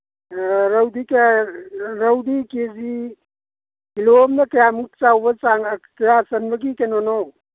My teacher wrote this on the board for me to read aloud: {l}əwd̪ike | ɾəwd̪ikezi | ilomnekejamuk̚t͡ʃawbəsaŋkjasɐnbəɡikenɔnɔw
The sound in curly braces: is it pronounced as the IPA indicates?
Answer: no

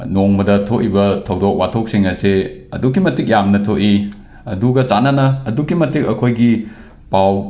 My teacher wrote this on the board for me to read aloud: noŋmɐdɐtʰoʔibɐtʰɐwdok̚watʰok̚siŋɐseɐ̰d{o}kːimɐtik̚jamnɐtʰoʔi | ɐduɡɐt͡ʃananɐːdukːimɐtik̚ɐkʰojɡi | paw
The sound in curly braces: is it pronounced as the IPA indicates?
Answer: no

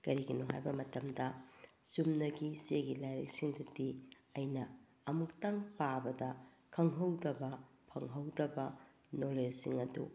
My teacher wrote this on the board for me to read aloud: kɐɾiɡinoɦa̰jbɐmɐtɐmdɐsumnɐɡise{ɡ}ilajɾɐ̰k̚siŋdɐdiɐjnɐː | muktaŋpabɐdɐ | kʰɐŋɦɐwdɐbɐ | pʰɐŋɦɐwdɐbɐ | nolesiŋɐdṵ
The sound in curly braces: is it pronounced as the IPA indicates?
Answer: yes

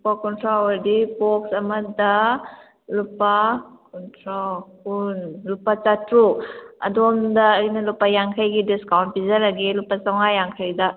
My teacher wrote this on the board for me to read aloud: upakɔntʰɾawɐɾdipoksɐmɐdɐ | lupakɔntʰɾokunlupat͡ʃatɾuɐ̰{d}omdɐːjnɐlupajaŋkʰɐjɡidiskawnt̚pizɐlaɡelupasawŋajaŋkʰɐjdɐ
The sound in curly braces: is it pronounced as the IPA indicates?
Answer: yes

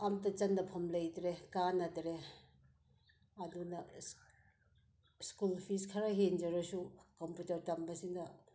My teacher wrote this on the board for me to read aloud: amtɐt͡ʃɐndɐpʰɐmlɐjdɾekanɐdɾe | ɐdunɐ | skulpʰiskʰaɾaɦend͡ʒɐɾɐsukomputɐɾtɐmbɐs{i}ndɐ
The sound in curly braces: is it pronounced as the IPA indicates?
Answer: yes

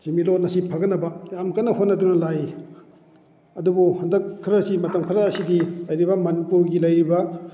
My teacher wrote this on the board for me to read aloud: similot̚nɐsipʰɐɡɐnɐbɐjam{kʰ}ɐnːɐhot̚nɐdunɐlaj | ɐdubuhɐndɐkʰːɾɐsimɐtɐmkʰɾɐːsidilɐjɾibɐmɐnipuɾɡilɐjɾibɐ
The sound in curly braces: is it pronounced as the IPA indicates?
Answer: no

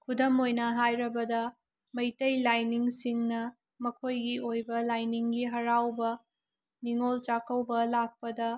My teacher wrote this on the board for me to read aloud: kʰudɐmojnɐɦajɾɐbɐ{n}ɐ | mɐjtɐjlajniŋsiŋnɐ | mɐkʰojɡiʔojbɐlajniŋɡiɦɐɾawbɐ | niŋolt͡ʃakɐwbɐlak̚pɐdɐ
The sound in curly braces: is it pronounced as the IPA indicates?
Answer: no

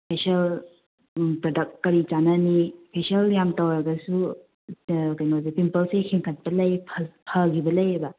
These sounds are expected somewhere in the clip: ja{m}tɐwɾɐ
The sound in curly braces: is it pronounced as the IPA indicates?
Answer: yes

